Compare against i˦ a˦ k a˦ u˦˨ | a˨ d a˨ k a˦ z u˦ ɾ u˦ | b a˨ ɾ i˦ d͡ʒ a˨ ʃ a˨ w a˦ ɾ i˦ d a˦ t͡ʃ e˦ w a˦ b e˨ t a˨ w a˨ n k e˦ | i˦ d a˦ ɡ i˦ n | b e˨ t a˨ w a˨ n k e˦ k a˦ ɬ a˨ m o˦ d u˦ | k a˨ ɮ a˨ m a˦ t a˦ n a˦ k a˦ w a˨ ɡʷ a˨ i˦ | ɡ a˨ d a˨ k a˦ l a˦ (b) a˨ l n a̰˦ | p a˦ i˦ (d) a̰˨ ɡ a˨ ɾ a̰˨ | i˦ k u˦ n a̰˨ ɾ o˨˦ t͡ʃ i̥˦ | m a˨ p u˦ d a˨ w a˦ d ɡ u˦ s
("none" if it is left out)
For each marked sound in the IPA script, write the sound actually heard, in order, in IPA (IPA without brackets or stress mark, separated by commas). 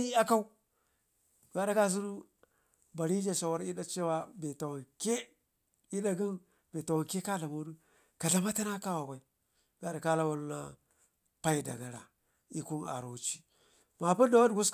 w, d